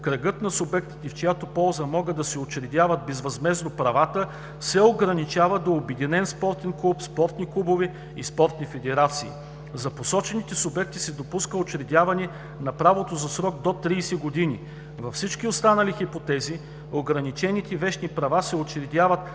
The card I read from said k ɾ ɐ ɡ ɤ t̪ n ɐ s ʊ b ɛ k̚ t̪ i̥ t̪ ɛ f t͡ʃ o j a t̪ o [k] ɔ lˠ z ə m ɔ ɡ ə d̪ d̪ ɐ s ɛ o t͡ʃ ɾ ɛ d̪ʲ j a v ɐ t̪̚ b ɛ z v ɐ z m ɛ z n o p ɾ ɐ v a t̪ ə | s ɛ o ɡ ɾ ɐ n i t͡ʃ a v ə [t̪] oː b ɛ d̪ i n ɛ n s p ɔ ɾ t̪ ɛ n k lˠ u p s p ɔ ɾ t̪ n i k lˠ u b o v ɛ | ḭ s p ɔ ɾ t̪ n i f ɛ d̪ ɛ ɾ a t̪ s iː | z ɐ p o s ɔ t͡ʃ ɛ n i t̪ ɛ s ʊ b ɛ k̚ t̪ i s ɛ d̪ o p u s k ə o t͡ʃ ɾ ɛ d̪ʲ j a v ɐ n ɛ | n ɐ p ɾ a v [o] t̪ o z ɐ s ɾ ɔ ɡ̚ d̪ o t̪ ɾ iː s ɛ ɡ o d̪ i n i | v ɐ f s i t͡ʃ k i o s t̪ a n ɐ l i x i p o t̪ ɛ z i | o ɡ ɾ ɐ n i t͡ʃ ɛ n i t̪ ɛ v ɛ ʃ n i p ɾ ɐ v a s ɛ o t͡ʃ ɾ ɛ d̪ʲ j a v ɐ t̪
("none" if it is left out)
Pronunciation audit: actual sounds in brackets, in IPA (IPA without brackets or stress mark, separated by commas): p, d̪, o